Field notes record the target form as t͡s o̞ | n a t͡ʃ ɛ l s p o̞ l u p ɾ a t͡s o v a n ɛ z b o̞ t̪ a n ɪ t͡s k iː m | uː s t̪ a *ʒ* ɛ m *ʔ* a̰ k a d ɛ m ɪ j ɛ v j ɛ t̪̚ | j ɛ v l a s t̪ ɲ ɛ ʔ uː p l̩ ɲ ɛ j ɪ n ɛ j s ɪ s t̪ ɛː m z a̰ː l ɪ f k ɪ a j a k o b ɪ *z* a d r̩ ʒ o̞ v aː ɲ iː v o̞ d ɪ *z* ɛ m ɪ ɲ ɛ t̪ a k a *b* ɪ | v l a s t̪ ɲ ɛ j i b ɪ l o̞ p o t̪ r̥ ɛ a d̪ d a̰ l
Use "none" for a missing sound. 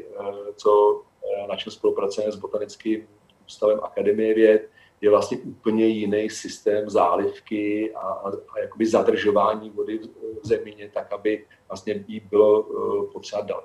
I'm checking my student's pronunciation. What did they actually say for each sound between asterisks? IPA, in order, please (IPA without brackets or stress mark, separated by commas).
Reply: v, ʔ, z, z, b